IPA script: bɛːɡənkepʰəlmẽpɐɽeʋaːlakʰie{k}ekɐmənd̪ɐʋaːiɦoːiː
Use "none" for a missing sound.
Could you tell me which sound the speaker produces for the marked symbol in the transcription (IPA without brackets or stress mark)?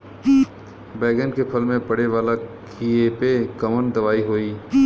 p